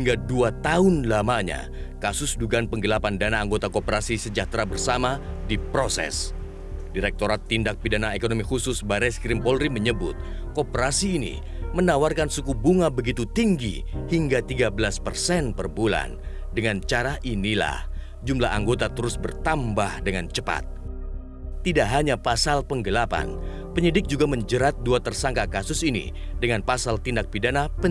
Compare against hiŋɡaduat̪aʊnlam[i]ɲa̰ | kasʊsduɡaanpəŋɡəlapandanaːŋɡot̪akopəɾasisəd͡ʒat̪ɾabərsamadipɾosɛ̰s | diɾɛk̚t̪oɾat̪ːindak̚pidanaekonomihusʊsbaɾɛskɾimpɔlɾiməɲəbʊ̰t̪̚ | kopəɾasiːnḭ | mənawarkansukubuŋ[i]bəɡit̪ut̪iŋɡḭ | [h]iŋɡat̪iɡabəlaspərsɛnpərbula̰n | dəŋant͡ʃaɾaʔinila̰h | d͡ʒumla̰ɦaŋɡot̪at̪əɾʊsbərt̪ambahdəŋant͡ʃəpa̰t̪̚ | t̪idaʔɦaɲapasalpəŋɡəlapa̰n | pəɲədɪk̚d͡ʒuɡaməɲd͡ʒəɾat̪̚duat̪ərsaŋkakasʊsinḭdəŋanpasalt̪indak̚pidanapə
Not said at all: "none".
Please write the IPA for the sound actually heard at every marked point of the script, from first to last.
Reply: a, a, h

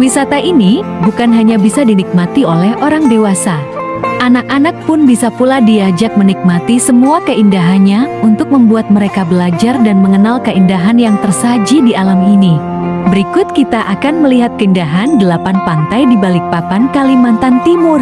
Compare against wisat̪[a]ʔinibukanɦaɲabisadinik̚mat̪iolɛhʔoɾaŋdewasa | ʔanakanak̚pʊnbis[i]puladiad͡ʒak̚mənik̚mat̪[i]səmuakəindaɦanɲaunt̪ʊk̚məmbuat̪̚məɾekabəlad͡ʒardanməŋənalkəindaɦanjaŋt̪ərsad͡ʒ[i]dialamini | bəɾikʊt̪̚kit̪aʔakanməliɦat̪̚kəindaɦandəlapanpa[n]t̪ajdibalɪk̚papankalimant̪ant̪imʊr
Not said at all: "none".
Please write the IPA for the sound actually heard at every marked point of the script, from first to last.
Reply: a, a, i, i, n

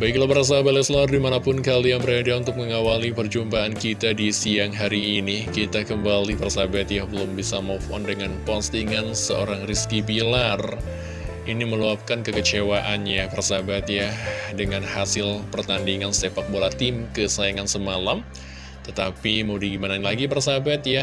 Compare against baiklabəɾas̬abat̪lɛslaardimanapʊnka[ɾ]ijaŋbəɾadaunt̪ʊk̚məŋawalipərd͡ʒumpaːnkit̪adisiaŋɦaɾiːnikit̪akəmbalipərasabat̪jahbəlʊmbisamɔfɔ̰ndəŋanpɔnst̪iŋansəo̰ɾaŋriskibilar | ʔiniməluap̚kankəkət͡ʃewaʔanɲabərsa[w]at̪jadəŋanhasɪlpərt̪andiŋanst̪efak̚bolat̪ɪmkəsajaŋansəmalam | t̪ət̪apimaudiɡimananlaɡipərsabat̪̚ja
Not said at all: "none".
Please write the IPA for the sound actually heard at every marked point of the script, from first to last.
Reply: l, b

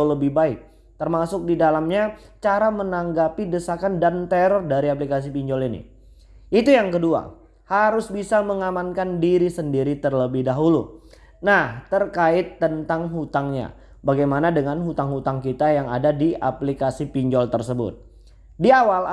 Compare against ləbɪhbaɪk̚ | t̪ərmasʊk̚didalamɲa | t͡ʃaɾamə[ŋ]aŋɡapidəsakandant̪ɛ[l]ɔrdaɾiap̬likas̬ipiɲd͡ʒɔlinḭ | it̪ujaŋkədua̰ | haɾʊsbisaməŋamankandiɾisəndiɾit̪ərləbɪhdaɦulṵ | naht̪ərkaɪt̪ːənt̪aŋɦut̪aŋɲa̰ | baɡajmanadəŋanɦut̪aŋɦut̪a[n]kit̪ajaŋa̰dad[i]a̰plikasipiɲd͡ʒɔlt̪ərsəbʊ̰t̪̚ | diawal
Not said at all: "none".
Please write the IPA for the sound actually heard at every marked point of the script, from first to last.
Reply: n, ɾ, ŋ, i

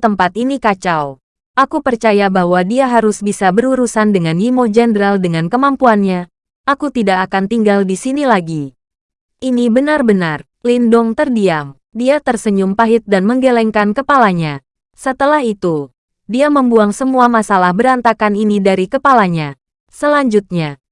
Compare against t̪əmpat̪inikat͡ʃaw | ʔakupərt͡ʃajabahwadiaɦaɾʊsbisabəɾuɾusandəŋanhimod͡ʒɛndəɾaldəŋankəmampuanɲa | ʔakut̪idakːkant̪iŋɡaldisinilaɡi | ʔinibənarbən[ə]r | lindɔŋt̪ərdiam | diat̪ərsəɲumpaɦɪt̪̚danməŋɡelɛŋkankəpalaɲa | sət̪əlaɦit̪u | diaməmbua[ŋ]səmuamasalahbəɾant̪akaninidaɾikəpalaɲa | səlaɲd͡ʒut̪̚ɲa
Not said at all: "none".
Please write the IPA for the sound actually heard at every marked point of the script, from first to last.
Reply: a, ŋ

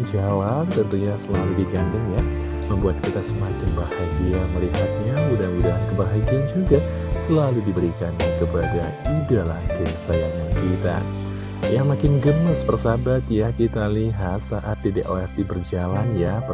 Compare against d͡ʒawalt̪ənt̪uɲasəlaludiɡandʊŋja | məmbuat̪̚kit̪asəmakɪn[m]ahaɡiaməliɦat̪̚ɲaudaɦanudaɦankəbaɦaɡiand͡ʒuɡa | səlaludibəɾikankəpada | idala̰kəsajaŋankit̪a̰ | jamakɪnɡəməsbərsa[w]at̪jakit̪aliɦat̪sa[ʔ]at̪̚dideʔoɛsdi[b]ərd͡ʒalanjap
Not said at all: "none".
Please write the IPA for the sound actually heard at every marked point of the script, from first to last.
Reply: b, b, ʔ, b

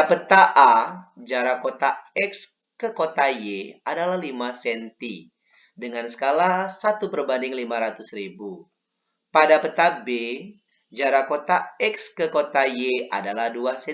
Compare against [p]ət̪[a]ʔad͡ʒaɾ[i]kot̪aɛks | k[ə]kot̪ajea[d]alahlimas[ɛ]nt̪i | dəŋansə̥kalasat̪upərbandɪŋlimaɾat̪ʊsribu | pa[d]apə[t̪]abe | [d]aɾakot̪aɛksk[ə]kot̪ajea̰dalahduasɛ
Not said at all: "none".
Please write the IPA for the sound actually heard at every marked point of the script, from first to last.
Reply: p, a, a, ə, d, ɛ, d, t̪, d͡ʒ, ə

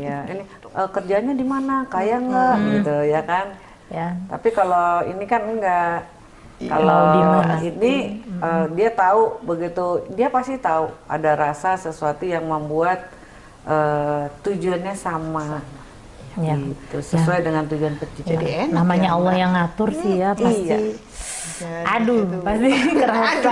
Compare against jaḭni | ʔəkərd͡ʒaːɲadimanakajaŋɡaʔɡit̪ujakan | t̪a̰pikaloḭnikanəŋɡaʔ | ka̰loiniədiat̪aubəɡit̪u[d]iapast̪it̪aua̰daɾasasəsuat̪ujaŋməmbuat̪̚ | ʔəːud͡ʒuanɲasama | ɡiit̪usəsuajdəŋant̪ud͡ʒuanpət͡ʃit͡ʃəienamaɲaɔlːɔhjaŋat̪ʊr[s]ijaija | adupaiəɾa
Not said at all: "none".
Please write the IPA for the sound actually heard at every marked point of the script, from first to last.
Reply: d, s

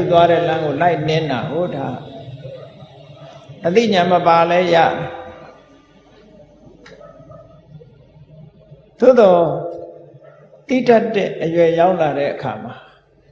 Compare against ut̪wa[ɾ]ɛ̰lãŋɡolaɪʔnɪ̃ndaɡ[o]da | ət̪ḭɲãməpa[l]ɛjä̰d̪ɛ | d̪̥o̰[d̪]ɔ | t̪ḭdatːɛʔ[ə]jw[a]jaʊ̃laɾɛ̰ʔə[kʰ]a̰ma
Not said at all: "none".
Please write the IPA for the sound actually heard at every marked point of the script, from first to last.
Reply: ɾ, o, l, d̪, ə, ɛ, kʰ

